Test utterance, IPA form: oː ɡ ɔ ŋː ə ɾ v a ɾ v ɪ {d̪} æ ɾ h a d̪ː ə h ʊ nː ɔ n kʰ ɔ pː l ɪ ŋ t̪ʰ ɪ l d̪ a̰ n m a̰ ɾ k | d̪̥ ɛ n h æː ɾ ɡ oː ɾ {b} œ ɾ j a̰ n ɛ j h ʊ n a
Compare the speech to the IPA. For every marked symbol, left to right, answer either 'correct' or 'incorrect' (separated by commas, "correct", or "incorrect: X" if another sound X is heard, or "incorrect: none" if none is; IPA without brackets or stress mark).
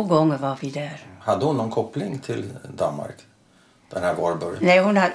correct, correct